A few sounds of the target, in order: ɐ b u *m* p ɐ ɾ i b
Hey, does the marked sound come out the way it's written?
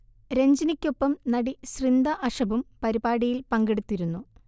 yes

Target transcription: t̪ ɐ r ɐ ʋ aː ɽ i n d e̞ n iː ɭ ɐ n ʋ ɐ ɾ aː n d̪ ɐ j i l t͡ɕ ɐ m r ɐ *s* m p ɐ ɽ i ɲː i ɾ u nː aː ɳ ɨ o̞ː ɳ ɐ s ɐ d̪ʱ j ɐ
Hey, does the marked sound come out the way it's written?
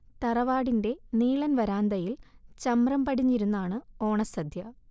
no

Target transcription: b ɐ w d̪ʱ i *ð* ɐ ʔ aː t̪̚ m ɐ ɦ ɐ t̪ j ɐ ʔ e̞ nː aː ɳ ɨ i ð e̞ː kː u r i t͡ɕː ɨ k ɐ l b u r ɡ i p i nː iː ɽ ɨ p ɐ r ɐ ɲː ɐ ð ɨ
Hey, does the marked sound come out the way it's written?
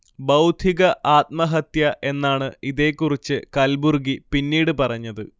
no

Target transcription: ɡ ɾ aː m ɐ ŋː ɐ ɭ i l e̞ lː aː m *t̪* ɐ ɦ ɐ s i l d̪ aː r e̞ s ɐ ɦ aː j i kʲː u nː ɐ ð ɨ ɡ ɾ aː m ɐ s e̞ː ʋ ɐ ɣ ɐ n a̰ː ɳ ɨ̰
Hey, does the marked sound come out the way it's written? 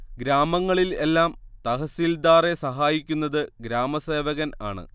yes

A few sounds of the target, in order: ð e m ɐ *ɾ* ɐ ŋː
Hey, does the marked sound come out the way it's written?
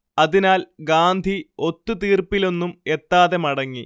no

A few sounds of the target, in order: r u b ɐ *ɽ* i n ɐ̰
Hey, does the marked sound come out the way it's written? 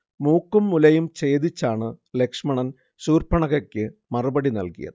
yes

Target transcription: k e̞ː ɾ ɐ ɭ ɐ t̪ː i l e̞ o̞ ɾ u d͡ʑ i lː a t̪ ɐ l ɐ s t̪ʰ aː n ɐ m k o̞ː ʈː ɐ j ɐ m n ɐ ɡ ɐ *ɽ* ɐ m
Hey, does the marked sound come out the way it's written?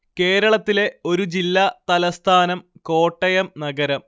no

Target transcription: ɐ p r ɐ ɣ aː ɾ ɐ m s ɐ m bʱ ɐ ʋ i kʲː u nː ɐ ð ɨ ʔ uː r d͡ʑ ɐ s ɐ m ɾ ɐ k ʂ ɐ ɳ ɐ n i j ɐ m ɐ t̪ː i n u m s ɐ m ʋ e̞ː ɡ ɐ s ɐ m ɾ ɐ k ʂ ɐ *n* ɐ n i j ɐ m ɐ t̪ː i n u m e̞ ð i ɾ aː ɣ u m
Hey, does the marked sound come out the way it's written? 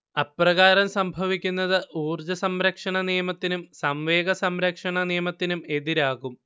no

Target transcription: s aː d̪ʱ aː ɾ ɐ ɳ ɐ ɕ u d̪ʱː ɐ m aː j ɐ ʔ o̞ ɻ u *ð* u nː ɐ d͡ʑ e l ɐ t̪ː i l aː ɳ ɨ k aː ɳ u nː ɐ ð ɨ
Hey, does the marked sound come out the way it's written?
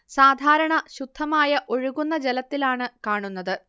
no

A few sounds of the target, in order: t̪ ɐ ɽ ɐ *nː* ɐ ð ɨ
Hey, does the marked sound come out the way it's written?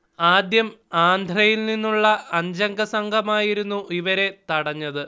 no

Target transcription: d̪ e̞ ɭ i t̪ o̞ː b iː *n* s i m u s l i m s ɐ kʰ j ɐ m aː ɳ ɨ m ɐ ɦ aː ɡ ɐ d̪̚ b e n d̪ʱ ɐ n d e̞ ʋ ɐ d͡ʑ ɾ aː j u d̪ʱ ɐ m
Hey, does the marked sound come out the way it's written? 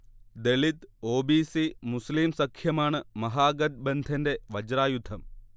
no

